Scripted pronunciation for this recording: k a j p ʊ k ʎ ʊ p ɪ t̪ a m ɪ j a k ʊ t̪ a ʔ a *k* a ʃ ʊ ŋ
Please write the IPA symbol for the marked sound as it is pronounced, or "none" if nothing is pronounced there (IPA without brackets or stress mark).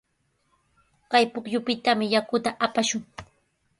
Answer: p